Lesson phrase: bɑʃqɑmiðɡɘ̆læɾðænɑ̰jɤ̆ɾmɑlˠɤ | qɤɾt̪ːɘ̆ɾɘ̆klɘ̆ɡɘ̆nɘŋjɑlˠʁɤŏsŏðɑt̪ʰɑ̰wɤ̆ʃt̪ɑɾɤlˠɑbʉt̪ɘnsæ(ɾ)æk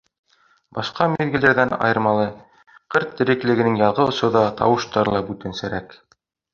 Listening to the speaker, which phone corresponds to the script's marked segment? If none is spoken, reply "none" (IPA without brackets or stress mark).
ɾ